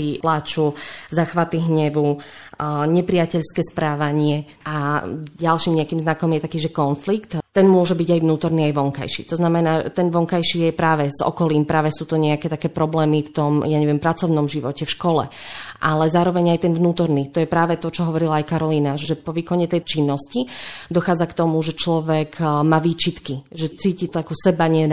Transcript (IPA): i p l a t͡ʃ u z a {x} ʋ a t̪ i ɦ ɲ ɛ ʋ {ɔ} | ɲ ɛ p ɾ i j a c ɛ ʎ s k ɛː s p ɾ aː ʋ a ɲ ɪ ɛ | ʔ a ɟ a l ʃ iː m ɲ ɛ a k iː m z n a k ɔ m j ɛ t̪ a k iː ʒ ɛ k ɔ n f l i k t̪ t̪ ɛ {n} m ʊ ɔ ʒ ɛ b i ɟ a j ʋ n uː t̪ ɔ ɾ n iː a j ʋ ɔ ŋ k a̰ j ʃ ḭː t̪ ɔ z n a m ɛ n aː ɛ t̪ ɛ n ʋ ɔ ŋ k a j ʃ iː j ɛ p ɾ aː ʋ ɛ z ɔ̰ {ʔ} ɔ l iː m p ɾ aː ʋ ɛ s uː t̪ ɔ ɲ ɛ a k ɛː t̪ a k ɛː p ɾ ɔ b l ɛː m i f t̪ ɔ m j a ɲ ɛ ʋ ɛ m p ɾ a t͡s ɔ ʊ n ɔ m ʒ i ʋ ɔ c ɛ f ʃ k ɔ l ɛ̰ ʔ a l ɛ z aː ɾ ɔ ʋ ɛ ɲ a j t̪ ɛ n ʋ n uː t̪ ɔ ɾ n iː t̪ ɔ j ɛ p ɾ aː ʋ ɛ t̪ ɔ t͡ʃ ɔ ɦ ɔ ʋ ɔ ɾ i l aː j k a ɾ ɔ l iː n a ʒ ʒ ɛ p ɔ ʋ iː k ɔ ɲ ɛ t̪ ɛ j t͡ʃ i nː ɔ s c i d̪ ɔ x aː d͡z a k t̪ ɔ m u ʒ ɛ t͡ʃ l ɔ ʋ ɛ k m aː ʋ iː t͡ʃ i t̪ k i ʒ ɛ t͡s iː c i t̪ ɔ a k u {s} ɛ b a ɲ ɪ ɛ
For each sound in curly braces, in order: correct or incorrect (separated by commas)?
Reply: correct, incorrect, correct, incorrect, correct